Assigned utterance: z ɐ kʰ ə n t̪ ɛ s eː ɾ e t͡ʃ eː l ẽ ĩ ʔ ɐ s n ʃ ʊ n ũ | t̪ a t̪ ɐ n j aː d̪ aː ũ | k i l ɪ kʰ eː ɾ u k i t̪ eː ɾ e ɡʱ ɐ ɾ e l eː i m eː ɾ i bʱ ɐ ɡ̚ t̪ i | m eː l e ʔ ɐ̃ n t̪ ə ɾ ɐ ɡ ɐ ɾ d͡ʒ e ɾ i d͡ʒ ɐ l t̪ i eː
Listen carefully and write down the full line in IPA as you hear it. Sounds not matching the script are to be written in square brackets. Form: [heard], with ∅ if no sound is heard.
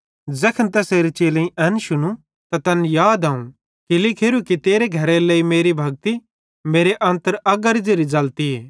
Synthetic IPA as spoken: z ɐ kʰ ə n t̪ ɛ s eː ɾ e t͡ʃ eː l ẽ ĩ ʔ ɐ [∅] n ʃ ʊ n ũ | t̪ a t̪ ɐ n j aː d̪ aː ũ | k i l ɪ kʰ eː ɾ u k i t̪ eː ɾ e ɡʱ ɐ ɾ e l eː i m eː ɾ i bʱ ɐ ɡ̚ t̪ i | m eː [ɾ] e ʔ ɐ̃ n t̪ ə ɾ ɐ ɡ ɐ ɾ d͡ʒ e ɾ i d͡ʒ ɐ l t̪ i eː